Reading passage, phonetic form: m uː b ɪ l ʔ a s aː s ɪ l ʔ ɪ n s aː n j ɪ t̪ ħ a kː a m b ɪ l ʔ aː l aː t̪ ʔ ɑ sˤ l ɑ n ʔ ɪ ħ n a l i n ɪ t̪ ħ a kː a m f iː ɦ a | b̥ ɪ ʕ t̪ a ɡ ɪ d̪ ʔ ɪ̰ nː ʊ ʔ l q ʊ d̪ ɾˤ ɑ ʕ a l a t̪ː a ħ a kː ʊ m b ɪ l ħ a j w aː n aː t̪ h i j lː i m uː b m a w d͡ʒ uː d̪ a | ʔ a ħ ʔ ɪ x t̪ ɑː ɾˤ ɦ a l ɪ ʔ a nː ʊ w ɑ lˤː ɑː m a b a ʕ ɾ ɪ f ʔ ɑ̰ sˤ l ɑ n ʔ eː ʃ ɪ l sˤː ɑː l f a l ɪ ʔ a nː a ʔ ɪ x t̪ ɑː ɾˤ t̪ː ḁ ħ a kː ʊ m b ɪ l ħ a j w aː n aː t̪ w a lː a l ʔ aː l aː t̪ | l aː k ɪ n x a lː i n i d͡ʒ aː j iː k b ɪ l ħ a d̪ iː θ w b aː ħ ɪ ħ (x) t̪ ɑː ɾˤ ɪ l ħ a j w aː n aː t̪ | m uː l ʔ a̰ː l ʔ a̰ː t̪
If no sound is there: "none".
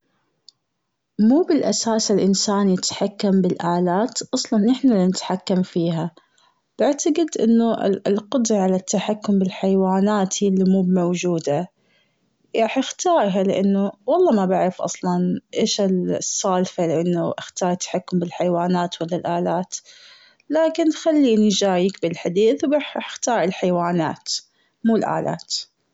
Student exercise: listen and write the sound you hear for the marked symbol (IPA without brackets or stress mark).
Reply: x